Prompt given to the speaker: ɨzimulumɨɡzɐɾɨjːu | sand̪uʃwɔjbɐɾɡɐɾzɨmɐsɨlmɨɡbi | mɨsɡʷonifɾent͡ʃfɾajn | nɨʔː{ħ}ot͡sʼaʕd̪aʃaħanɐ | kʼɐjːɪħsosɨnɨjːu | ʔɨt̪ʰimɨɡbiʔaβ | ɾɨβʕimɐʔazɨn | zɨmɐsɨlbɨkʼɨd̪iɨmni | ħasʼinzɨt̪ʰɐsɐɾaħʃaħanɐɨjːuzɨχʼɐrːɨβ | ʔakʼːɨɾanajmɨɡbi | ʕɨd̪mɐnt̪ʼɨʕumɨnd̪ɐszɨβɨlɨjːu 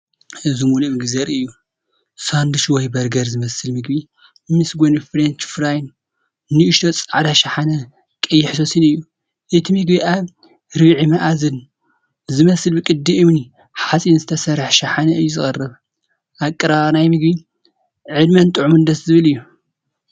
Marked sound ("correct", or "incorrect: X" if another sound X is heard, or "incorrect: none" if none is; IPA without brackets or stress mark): incorrect: ʃ